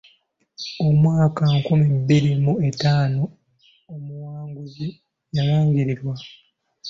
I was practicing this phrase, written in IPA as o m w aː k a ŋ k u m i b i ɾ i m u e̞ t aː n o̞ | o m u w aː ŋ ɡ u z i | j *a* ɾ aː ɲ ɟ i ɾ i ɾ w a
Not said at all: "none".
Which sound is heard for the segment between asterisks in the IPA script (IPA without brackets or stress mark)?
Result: a